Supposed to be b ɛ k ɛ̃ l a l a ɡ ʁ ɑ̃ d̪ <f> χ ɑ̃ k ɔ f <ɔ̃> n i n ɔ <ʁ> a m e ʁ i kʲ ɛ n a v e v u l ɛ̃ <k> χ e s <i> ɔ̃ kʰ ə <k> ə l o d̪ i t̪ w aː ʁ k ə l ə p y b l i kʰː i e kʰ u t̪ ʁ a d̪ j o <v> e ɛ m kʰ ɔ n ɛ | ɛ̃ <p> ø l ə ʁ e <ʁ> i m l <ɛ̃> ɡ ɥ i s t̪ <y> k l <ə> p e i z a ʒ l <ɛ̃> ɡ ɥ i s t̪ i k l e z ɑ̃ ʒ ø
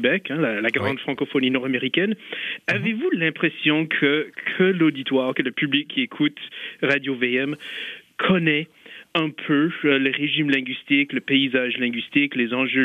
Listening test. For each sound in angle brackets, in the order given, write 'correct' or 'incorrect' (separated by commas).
correct, incorrect, correct, incorrect, incorrect, incorrect, correct, incorrect, incorrect, correct, incorrect, correct, correct